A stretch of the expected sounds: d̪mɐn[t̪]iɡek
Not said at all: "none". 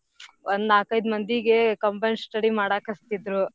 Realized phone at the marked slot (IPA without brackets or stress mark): d̪